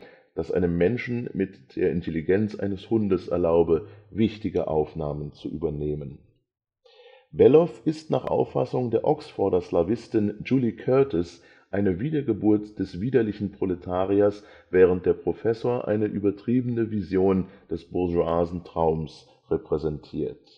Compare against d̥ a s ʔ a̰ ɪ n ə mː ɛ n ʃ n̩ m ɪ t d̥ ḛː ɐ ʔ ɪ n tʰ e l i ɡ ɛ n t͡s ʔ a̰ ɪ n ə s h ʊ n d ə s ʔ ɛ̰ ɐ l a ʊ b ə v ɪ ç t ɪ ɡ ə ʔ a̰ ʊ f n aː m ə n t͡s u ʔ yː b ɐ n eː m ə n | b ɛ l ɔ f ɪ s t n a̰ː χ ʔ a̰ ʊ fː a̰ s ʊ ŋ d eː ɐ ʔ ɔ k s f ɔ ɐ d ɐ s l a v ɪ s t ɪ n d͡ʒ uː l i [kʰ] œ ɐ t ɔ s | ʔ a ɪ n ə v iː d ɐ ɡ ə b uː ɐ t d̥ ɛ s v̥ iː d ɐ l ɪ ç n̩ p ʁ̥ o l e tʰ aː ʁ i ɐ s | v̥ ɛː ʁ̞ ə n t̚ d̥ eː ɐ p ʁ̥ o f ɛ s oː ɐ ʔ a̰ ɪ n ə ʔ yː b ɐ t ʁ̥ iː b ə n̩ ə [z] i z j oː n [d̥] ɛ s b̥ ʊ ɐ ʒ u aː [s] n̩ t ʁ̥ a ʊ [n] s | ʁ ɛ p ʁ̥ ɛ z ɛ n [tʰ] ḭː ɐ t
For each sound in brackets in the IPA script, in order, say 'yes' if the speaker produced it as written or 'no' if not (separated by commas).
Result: yes, no, yes, no, no, yes